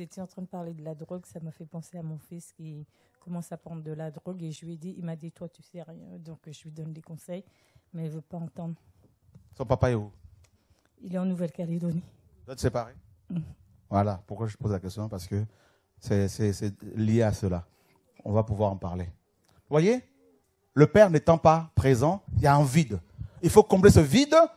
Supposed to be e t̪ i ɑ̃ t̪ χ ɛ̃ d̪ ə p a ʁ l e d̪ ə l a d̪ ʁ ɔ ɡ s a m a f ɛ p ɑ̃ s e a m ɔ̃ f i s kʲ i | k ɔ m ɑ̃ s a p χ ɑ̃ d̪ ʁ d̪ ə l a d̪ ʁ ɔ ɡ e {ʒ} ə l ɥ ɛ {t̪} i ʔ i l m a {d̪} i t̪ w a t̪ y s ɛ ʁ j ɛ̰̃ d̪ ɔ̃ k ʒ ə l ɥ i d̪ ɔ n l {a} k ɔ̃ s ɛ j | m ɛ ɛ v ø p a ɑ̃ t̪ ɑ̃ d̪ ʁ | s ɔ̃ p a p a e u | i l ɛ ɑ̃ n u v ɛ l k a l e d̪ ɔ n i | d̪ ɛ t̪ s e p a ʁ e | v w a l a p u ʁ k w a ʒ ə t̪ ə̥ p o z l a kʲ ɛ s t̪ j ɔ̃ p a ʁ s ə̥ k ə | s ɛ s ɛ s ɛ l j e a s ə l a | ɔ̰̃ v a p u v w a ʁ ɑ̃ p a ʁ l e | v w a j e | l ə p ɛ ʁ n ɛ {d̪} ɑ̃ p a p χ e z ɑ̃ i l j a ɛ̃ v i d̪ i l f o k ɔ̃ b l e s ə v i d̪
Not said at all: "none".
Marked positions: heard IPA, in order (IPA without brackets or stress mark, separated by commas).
ʒ, d̪, d̪, e, t̪